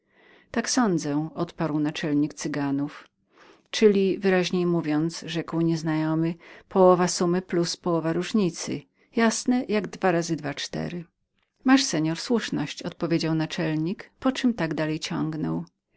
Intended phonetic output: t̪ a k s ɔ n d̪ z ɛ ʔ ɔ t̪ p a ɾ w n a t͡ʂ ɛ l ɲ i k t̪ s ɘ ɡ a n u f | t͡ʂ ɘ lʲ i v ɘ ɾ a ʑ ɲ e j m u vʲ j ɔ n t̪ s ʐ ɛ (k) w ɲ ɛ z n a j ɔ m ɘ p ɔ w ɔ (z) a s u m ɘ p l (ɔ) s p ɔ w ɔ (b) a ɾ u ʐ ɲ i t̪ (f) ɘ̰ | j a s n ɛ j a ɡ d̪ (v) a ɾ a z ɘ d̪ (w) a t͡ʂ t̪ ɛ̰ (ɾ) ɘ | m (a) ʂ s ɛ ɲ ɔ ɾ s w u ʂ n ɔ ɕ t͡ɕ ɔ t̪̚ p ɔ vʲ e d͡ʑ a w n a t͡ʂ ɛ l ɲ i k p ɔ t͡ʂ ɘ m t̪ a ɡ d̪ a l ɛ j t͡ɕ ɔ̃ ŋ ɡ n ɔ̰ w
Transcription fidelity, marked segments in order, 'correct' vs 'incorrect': correct, incorrect, incorrect, incorrect, incorrect, correct, incorrect, correct, correct

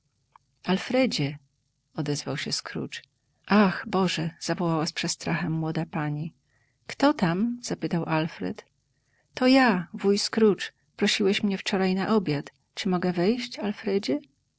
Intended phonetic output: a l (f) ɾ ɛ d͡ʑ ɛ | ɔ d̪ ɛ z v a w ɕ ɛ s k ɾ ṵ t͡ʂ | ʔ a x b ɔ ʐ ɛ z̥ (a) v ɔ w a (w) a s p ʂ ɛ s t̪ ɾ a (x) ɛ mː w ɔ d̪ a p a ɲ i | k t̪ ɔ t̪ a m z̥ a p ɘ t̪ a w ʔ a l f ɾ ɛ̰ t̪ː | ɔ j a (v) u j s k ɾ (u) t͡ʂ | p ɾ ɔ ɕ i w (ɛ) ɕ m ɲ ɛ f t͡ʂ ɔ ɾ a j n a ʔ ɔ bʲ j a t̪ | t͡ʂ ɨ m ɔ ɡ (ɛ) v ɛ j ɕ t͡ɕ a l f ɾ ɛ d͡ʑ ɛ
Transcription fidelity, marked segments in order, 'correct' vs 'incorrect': correct, correct, correct, correct, correct, correct, correct, correct

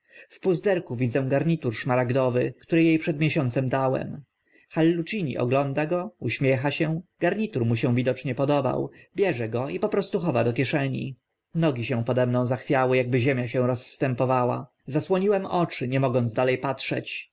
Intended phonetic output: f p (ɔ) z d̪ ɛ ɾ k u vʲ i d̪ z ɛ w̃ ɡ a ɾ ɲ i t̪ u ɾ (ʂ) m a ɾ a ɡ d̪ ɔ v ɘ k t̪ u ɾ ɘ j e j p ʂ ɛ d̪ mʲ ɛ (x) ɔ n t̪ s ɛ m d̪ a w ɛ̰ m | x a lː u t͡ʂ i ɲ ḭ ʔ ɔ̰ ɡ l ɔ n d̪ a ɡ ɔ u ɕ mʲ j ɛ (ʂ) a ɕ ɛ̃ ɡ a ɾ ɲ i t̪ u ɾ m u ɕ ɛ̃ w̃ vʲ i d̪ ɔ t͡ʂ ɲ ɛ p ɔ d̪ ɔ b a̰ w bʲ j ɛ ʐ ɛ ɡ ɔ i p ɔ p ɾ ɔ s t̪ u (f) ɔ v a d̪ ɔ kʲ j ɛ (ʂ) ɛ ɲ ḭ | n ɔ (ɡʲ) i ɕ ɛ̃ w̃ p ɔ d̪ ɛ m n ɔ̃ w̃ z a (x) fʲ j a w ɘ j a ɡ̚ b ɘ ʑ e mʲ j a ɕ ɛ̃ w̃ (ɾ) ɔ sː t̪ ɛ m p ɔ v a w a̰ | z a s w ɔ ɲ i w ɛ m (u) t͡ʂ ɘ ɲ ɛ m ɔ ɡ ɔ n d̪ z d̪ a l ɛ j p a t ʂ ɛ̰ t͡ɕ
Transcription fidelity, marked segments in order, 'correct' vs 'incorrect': incorrect, correct, incorrect, incorrect, incorrect, correct, correct, correct, correct, incorrect

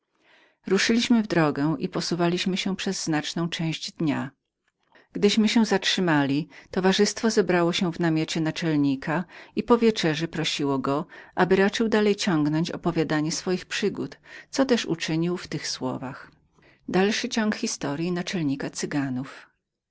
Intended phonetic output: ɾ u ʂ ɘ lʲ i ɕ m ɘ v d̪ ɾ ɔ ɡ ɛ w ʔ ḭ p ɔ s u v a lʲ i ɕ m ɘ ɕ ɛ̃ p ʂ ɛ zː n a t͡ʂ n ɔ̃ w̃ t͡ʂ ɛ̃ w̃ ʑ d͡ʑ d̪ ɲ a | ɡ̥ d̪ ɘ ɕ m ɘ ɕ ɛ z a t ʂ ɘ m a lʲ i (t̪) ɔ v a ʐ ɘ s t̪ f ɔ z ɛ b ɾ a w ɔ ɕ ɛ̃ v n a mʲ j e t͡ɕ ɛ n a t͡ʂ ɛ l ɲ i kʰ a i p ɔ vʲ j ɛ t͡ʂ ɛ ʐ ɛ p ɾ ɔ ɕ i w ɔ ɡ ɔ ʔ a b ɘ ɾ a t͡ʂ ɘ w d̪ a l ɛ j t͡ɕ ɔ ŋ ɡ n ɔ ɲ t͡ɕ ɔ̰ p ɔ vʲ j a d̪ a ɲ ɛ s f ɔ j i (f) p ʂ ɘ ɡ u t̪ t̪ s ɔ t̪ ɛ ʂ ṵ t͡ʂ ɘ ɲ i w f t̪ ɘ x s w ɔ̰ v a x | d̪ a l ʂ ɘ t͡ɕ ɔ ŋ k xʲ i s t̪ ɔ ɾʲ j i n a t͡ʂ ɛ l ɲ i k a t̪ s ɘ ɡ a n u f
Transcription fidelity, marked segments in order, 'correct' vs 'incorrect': correct, incorrect

